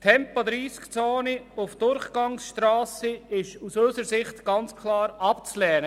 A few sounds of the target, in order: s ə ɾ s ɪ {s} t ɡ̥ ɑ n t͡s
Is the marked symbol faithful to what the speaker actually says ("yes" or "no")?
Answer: no